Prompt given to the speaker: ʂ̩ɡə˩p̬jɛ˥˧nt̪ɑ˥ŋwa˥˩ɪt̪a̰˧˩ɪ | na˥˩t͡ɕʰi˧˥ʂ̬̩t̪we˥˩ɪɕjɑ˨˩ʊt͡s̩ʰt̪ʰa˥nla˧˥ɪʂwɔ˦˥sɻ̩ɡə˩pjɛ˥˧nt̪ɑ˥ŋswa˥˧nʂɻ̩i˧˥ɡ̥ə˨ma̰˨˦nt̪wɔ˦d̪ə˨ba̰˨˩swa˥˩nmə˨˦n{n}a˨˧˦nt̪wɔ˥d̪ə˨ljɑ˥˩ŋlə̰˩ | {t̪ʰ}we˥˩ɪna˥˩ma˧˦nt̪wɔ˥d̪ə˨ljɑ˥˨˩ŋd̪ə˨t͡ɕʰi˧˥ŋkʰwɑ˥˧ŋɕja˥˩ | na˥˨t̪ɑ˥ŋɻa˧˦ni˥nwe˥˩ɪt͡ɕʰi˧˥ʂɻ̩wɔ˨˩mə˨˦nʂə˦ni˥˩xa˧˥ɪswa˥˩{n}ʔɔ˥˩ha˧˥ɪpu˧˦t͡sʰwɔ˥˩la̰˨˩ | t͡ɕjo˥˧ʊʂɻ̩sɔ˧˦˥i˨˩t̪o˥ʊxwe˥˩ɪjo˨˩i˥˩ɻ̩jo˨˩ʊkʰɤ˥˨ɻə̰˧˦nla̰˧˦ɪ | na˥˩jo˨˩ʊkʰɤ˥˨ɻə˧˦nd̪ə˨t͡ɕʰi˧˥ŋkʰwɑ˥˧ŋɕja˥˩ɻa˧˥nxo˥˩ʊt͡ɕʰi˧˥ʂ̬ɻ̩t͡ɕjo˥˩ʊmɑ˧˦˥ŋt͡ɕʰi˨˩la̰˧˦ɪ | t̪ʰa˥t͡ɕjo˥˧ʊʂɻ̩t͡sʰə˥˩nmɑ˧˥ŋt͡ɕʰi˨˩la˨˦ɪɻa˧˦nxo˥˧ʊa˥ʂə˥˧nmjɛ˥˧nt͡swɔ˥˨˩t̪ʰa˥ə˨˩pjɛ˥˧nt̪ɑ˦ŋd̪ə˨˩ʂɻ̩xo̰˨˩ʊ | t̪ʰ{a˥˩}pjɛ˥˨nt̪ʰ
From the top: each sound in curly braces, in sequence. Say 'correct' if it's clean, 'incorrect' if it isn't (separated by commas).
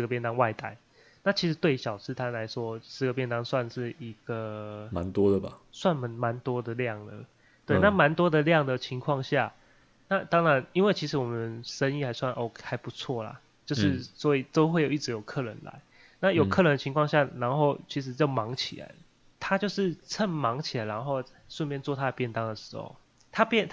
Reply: incorrect, incorrect, correct, incorrect